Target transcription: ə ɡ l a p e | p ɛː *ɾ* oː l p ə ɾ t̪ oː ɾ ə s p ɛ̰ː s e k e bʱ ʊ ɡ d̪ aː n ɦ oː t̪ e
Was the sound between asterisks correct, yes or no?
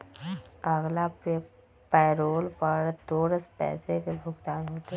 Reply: yes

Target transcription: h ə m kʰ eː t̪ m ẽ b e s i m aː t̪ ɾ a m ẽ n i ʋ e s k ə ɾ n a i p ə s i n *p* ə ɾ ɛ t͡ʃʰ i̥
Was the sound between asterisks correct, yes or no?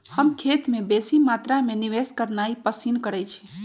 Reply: no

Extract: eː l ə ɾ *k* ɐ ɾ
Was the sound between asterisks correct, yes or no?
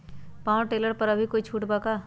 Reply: no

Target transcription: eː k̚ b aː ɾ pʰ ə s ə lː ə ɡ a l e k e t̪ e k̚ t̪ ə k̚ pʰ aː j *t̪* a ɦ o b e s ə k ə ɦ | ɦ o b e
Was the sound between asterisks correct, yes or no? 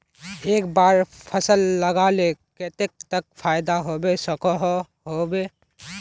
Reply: no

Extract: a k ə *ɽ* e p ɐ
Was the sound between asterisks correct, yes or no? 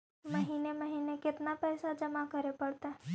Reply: no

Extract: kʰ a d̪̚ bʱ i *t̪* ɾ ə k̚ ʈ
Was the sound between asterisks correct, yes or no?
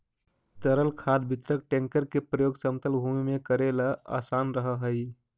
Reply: yes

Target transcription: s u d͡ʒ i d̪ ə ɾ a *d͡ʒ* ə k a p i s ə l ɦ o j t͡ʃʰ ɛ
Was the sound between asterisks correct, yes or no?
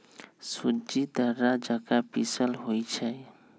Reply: yes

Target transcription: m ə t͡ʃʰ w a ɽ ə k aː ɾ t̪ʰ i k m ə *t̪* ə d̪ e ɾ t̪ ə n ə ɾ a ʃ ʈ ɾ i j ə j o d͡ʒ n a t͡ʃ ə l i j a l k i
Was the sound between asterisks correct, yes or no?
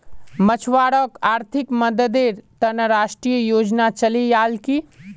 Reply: no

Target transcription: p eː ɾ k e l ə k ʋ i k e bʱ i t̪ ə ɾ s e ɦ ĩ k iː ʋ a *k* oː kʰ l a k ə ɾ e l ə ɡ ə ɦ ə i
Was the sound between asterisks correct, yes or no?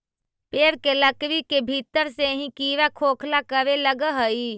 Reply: no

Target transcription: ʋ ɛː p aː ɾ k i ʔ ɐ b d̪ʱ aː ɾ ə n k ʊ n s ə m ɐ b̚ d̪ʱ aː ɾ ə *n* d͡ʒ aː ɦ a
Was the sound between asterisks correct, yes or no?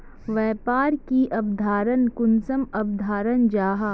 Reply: yes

